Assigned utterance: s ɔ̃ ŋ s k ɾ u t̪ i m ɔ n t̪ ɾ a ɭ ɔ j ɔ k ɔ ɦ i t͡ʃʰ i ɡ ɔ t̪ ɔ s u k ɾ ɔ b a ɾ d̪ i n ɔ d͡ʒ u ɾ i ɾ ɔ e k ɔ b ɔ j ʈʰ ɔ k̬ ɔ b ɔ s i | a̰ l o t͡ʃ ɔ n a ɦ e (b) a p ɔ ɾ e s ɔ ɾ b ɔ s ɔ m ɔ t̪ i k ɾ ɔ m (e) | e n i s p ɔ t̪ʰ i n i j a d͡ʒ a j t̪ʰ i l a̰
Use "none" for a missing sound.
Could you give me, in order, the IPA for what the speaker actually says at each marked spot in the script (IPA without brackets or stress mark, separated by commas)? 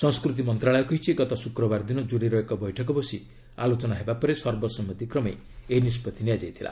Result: b, e